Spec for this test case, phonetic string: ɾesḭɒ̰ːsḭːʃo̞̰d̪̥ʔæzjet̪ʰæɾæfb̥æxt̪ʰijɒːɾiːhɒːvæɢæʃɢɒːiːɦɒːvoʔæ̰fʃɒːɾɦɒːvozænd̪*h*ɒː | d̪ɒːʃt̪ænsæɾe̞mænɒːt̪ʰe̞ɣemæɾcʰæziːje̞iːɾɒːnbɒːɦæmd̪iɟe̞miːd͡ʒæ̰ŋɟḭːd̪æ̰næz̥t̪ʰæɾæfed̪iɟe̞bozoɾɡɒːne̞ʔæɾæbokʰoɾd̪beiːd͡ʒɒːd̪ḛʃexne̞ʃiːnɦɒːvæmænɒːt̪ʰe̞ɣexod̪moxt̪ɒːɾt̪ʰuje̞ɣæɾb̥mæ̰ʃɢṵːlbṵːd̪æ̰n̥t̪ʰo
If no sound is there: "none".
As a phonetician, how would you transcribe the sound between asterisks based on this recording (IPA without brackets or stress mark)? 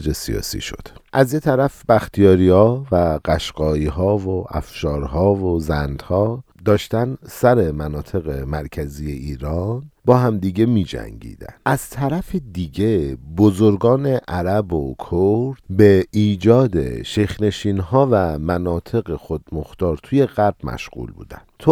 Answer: h